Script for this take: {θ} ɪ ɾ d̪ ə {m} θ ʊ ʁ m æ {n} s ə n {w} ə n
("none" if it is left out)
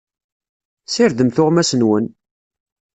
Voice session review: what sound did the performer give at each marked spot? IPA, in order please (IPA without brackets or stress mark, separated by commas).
s, m, none, w